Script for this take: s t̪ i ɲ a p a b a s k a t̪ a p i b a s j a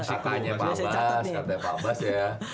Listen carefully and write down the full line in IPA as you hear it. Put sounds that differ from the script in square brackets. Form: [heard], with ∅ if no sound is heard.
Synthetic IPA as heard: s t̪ [a] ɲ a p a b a s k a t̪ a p [a] b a s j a